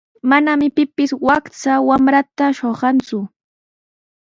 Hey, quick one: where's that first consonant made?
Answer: lips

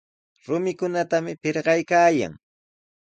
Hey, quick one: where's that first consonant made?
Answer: tongue tip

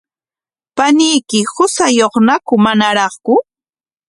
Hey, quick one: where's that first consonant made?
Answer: lips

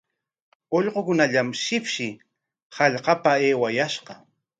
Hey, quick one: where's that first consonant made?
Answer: palate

